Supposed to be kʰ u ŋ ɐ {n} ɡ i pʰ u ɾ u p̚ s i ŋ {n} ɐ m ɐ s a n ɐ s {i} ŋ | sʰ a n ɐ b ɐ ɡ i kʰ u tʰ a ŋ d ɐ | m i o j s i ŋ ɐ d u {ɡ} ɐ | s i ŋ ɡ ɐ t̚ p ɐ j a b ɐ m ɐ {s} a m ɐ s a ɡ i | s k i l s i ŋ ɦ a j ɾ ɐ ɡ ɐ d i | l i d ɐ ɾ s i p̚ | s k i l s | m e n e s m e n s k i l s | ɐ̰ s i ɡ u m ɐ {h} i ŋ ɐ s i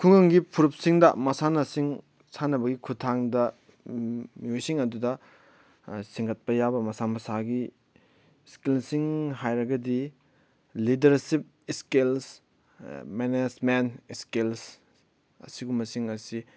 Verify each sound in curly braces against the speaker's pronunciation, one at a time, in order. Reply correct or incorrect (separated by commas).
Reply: incorrect, incorrect, correct, incorrect, correct, incorrect